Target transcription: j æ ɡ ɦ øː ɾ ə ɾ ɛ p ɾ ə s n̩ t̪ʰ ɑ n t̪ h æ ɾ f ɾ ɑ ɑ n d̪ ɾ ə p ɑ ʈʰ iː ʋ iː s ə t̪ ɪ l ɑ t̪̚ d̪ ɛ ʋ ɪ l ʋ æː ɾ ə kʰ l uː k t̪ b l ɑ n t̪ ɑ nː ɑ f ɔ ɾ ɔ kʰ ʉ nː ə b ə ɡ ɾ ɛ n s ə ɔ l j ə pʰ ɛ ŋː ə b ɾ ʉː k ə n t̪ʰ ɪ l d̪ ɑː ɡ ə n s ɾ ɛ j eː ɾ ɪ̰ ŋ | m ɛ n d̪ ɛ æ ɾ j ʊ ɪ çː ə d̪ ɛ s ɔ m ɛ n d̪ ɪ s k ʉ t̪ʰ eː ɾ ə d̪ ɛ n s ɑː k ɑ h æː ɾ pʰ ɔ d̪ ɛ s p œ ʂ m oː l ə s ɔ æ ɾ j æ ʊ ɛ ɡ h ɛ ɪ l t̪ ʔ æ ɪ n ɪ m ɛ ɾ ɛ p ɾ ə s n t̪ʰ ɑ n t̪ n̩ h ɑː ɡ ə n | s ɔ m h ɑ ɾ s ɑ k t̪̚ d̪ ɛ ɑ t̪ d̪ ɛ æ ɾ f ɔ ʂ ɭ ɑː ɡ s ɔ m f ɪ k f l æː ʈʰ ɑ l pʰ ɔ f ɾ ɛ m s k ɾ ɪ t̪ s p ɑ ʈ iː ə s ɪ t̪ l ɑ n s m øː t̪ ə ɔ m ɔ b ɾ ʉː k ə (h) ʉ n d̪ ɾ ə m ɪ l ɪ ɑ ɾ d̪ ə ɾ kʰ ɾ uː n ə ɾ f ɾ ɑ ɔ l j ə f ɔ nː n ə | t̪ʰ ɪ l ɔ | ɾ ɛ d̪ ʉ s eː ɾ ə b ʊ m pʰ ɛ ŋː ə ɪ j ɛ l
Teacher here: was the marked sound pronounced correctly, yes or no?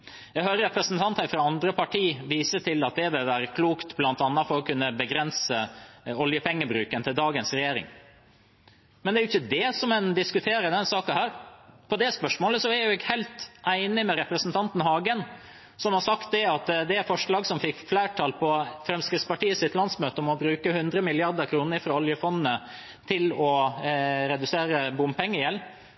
yes